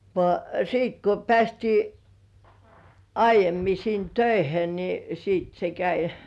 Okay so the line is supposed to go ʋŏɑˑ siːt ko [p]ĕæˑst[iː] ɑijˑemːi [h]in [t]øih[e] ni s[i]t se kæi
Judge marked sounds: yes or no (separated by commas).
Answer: yes, yes, no, yes, yes, no